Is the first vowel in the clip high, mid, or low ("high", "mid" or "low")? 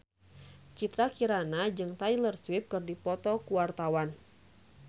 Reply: high